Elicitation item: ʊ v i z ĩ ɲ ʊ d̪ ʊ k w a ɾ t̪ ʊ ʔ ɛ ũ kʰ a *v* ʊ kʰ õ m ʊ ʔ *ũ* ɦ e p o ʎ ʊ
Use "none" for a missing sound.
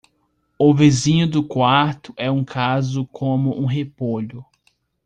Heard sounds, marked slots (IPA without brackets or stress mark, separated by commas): z, ũ